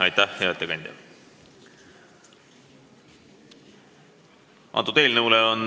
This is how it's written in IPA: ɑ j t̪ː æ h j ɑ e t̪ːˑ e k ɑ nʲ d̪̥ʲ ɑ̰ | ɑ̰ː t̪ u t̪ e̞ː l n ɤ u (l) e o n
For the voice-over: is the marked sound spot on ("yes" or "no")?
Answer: yes